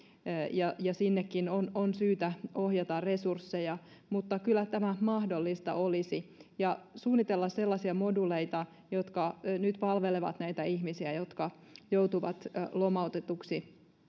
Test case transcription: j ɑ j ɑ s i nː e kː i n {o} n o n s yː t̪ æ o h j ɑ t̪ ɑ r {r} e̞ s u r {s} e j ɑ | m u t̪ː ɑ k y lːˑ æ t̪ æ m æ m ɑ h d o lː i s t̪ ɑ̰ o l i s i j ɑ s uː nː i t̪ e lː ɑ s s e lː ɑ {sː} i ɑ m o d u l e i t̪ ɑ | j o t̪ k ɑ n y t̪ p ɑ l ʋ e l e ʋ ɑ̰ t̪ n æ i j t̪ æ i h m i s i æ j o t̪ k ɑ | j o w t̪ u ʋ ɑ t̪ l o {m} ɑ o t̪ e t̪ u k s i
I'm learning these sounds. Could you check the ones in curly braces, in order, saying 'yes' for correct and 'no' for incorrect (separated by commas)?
yes, yes, no, no, yes